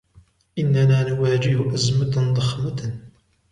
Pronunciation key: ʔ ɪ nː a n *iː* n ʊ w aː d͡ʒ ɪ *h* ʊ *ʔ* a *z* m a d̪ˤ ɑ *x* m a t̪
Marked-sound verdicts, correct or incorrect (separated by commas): incorrect, correct, correct, correct, correct